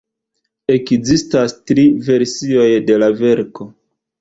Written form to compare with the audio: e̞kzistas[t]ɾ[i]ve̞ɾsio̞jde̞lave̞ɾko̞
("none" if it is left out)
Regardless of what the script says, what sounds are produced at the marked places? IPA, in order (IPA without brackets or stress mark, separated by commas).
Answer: t, i